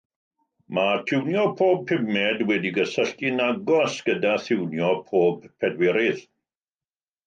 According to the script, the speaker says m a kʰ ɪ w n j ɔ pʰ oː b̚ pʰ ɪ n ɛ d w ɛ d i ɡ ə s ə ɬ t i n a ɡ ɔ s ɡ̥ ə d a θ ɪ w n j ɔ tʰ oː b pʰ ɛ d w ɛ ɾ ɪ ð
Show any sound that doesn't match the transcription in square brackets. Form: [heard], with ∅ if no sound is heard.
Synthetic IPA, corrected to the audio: m a [tʰ] ɪ w n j ɔ pʰ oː b̚ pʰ ɪ [m] ɛ d w ɛ d i ɡ ə s ə ɬ t i n a ɡ ɔ s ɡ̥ ə d a θ ɪ w n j ɔ [pʰ] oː b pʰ ɛ d w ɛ ɾ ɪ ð